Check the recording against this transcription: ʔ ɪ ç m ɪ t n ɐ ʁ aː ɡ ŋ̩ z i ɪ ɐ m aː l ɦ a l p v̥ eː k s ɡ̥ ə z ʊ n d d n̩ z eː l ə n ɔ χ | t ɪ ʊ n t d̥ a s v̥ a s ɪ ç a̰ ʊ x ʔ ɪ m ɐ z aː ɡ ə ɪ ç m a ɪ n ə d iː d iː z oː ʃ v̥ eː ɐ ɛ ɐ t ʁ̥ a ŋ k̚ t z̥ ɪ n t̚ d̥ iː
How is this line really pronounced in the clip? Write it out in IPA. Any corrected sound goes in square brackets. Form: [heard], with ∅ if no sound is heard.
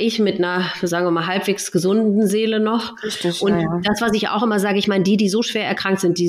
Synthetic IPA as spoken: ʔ ɪ ç m ɪ t n ɐ [z] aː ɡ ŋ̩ [v] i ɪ ɐ m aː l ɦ a l p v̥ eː k s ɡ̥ ə z ʊ n d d n̩ z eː l ə n ɔ χ | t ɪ ʊ n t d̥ a s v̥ a s ɪ ç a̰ ʊ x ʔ ɪ m ɐ z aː ɡ ə ɪ ç m a ɪ n ə d iː d iː z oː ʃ v̥ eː ɐ ɛ ɐ [k] ʁ̥ a ŋ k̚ t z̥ ɪ n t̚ d̥ iː